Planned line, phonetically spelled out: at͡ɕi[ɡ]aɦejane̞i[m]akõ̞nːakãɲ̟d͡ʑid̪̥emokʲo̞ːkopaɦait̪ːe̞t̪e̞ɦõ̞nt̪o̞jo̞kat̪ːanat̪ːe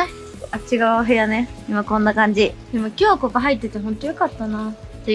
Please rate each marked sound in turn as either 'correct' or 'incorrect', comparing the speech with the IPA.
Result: correct, correct

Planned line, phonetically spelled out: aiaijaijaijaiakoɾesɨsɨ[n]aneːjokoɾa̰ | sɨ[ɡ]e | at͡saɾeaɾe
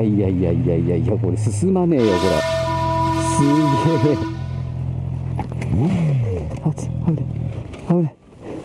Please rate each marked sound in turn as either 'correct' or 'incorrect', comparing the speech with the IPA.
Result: incorrect: m, correct

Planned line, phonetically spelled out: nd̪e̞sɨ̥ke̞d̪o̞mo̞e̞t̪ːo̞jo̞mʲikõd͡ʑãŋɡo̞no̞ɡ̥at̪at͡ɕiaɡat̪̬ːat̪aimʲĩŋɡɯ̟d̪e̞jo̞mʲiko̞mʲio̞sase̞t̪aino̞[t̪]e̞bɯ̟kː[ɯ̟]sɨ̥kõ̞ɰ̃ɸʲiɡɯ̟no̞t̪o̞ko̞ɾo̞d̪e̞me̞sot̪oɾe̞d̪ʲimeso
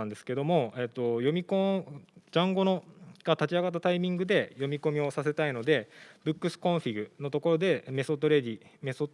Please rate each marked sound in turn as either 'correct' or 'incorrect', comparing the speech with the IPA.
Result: incorrect: d̪, correct

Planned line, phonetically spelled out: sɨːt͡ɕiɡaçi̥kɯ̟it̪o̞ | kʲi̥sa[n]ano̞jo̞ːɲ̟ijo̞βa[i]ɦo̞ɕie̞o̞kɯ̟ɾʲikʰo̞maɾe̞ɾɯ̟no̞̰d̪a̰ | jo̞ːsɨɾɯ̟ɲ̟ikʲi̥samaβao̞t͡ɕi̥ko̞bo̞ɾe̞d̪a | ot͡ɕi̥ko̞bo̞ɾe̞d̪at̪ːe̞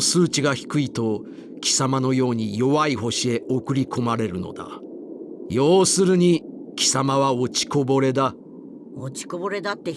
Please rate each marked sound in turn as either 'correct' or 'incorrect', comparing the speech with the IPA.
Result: incorrect: m, correct

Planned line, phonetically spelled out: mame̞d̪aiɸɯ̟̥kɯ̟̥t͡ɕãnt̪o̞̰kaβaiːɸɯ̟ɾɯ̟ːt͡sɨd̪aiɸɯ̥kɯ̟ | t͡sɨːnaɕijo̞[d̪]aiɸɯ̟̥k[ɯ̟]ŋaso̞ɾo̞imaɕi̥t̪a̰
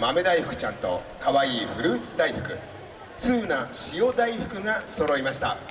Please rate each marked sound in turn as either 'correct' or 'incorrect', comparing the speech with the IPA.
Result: correct, correct

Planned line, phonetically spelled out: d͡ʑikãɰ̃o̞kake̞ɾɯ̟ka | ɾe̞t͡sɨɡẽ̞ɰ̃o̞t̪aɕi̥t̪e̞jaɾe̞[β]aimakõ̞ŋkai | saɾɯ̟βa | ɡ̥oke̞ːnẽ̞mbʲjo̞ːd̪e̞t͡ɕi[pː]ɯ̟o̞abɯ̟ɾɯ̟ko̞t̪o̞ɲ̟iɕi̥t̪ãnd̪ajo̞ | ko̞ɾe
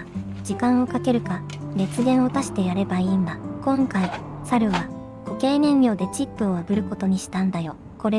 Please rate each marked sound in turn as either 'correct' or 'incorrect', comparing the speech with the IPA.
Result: incorrect: b, correct

